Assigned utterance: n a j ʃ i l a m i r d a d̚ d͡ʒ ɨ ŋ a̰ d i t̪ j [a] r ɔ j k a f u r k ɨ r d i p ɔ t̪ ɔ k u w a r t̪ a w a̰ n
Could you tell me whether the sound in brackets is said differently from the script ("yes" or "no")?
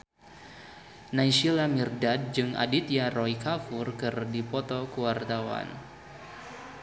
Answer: no